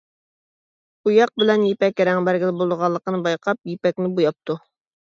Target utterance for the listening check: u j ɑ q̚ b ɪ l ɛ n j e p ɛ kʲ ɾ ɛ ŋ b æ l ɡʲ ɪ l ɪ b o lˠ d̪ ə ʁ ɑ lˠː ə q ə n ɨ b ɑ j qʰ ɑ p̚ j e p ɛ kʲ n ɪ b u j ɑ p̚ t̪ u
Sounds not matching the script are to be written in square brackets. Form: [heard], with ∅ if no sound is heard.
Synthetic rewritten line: u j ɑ q̚ b ɪ l ɛ n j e p ɛ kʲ ɾ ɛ ŋ b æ [ɾ] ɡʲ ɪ l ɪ b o lˠ d̪ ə ʁ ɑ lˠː ə q ə n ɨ b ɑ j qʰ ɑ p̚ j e p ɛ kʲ n ɪ b u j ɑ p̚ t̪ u